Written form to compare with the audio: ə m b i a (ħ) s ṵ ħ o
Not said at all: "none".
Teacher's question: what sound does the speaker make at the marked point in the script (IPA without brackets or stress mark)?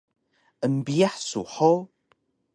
ħ